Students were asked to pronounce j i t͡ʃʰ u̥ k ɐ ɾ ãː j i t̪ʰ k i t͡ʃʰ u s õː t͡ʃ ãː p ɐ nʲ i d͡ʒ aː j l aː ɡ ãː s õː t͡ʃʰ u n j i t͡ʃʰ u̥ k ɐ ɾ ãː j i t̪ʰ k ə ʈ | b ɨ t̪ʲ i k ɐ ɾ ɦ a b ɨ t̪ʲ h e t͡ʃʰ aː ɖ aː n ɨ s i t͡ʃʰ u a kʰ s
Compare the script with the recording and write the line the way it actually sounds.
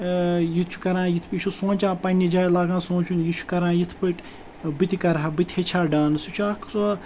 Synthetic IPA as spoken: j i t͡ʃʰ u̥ k ɐ ɾ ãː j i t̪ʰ p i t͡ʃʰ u s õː t͡ʃ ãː p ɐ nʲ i d͡ʒ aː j l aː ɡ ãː s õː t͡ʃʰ u n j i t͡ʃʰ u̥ k ɐ ɾ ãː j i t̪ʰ p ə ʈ | b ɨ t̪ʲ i k ɐ ɾ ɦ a b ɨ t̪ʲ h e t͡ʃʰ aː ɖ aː n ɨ s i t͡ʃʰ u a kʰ s